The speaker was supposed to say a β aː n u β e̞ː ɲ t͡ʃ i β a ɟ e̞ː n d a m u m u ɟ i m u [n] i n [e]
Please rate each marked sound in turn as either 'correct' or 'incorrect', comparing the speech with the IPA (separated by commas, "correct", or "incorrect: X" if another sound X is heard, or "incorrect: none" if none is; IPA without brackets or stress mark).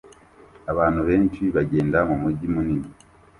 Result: correct, incorrect: i